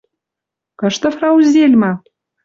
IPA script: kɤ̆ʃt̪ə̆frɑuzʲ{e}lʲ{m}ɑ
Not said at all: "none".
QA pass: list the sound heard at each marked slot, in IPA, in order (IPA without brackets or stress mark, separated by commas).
e, m